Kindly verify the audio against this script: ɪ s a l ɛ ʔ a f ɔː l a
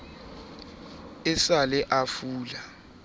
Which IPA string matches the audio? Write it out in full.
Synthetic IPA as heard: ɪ s a l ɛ ʔ a f uː l a